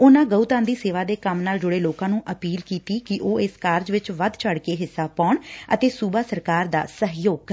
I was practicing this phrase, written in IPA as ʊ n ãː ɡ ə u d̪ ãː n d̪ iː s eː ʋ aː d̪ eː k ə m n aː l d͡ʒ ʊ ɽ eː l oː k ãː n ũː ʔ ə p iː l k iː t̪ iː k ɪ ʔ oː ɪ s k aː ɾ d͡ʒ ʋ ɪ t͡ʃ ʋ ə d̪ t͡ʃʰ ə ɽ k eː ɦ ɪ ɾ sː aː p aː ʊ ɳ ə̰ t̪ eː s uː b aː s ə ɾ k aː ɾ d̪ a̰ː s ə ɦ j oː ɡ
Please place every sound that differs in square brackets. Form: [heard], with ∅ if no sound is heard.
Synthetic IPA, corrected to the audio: ʊ n ãː ɡ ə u [t̪] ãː n d̪ iː s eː ʋ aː d̪ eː k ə m n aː l d͡ʒ ʊ ɽ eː l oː k ãː n ũː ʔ ə p iː l k iː t̪ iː k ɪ ʔ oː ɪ s k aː ɾ d͡ʒ ʋ ɪ t͡ʃ ʋ ə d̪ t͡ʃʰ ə ɽ k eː ɦ ɪ [∅] sː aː p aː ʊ ɳ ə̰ t̪ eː s uː b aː s ə ɾ k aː ɾ d̪ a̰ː s ə ɦ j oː ɡ